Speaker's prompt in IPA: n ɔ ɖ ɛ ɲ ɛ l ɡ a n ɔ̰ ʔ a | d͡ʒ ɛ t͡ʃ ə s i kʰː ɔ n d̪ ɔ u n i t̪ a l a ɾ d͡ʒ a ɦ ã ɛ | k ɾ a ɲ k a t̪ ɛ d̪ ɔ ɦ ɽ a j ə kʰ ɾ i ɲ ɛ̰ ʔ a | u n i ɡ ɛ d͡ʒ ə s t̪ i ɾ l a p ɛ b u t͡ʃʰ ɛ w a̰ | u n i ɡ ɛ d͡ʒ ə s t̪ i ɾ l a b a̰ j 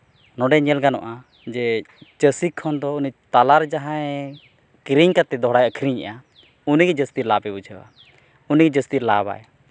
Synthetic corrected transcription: n ɔ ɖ ɛ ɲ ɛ l ɡ a n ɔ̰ ʔ a | d͡ʒ ɛ t͡ʃ ə s i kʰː ɔ n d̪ ɔ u n i t̪ a l a ɾ d͡ʒ a ɦ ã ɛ | k ɾ i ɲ k a t̪ ɛ d̪ ɔ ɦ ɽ a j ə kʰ ɾ i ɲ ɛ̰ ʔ a | u n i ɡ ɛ d͡ʒ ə s t̪ i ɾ l a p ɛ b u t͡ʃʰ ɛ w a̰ | u n i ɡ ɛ d͡ʒ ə s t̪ i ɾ l a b a̰ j